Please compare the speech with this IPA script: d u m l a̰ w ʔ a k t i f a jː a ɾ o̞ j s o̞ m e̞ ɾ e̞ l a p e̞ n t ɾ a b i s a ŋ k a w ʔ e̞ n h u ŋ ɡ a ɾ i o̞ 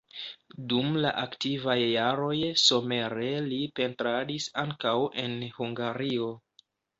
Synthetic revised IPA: d u m l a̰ ʔ a k t i v a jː a ɾ o̞ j s o̞ m e̞ ɾ e̞ l i p e̞ n t ɾ a d i s a ŋ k a w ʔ e̞ n h u ŋ ɡ a ɾ i o̞